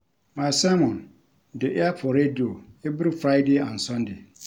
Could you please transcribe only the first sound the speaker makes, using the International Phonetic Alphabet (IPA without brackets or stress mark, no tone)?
m